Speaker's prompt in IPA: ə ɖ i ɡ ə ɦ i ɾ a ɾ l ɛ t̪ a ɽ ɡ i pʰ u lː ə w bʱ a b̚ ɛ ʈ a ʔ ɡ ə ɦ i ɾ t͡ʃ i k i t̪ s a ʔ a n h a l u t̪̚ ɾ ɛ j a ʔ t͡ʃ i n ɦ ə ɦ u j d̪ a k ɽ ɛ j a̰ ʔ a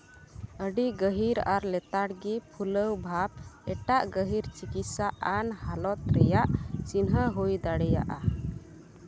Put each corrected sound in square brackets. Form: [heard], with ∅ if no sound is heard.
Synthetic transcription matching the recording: ə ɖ i ɡ ə ɦ i ɾ a ɾ l ɛ t̪ a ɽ ɡ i pʰ u [l] ə w bʱ a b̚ ɛ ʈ a ʔ ɡ ə ɦ i ɾ t͡ʃ i k i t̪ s a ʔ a n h a l [ɔ] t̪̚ ɾ ɛ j a ʔ t͡ʃ i n ɦ ə ɦ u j d̪ a [∅] ɽ ɛ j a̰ ʔ a